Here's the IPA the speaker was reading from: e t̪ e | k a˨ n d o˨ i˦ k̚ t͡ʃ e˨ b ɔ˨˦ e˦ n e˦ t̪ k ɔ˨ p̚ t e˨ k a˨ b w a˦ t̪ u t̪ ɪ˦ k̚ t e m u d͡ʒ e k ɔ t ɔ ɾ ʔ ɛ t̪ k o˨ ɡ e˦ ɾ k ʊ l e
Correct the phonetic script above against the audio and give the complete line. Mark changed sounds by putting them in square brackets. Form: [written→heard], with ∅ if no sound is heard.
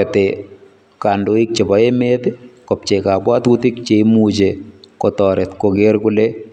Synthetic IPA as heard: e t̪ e | k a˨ n d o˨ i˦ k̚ t͡ʃ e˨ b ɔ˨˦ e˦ [n→m] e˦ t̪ k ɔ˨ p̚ [t→t͡ʃ] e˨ k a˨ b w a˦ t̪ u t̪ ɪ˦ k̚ [t→t͡ʃ] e m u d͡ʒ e k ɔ t ɔ ɾ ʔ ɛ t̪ k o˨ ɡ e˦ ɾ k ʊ l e